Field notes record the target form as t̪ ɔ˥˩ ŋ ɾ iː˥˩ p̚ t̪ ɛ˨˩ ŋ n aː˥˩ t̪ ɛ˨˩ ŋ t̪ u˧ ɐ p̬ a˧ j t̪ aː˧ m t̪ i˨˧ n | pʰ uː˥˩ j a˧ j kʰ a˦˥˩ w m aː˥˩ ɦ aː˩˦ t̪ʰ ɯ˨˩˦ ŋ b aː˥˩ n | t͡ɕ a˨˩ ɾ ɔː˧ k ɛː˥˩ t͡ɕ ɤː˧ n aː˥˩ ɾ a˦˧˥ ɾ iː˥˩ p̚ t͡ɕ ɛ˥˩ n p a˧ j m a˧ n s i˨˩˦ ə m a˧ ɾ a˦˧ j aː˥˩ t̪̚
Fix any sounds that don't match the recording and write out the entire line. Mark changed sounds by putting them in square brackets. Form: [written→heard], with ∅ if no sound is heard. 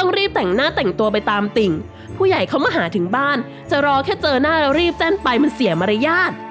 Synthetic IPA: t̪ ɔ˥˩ ŋ ɾ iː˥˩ p̚ t̪ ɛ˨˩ ŋ n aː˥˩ t̪ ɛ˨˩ ŋ t̪ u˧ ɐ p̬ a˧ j t̪ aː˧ m t̪ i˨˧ [n→ŋ] | pʰ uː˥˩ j [a˧→a˨˩] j kʰ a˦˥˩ w m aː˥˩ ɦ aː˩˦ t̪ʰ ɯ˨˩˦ ŋ b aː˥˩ n | t͡ɕ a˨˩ ɾ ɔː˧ [k→kʰ] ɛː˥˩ t͡ɕ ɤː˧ n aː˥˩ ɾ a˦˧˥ ɾ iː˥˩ p̚ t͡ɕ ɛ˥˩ n p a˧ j m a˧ n s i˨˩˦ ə m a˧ ɾ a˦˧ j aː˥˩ t̪̚